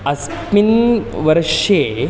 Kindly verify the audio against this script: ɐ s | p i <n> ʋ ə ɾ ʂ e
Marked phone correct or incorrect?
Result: correct